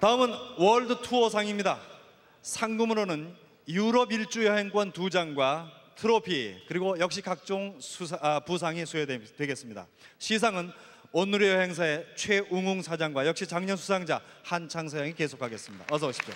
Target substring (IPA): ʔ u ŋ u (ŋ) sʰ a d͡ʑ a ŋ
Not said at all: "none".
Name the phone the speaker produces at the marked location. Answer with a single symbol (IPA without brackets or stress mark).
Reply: ŋ